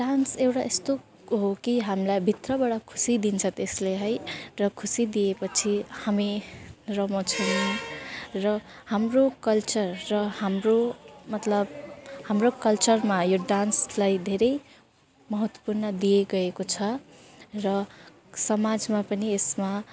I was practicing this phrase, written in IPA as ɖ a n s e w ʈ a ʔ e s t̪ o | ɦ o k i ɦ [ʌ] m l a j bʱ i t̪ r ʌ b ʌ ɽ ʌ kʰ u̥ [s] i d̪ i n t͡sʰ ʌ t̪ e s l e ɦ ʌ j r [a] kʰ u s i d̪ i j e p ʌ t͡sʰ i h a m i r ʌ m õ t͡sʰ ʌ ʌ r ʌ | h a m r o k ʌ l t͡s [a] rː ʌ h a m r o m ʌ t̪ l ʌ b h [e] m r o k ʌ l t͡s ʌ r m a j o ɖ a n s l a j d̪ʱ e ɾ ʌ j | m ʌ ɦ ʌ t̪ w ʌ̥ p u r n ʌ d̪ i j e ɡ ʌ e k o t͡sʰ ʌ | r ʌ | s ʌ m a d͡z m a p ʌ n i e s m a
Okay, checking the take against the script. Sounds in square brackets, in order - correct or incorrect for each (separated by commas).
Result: incorrect, correct, incorrect, incorrect, incorrect